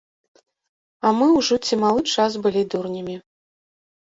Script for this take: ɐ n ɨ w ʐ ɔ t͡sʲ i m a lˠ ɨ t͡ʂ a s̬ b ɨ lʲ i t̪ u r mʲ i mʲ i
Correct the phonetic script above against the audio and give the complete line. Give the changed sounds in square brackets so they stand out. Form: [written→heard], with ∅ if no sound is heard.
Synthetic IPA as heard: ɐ [n→m] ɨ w ʐ ɔ t͡sʲ i m a lˠ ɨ t͡ʂ a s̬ b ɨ lʲ i [t̪→d̪] u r [mʲ→nʲ] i mʲ i